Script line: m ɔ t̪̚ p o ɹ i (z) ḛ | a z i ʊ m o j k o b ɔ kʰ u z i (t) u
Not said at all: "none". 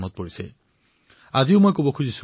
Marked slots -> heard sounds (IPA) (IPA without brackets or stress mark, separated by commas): s, s